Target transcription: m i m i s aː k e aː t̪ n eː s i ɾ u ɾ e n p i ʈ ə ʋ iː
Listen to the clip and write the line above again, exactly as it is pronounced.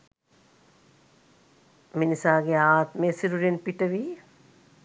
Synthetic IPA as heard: m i n i s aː ɡ e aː t̪ m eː s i ɾ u ɾ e n p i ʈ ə ʋ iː